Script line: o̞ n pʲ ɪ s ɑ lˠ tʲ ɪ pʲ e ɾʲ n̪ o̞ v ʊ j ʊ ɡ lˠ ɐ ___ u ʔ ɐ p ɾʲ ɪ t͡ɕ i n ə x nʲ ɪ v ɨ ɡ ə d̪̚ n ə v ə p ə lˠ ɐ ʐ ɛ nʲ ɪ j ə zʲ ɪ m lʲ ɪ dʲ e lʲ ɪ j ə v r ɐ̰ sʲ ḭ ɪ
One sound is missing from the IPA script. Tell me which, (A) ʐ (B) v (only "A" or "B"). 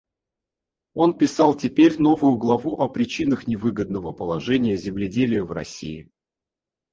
B